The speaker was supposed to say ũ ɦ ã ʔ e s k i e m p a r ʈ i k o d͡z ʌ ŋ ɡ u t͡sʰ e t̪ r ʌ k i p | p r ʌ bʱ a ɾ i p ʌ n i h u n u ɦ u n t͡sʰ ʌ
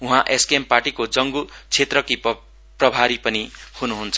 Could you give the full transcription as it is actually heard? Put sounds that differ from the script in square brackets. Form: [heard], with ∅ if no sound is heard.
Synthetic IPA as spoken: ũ ɦ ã ʔ e s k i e m p a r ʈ i k o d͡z ʌ ŋ ɡ u t͡sʰ e t̪ r ʌ k i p | p r ʌ bʱ a ɾ i p ʌ n i h u n u ɦ u n t͡sʰ ʌ